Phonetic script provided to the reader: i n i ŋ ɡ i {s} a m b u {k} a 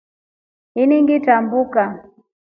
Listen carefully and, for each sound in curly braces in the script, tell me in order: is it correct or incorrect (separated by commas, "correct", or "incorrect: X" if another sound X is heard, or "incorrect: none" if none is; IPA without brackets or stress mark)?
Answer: incorrect: t, correct